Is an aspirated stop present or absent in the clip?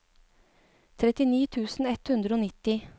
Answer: present